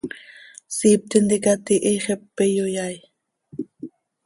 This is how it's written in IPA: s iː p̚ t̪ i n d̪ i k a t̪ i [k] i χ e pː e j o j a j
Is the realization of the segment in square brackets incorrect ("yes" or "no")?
yes